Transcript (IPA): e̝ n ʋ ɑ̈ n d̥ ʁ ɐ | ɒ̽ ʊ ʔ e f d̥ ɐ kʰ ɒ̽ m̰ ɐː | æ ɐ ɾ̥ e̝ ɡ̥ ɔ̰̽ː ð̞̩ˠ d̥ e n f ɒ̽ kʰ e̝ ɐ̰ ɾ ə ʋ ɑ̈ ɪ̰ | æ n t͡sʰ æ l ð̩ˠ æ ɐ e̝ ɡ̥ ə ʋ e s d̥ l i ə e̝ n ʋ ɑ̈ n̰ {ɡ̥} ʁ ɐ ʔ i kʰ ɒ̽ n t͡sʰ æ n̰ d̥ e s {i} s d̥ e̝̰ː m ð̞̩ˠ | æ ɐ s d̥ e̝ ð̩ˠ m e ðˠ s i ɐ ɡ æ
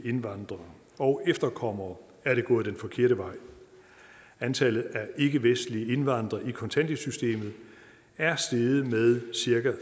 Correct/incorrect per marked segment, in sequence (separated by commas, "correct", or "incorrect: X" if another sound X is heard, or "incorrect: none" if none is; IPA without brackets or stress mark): incorrect: d̥, incorrect: y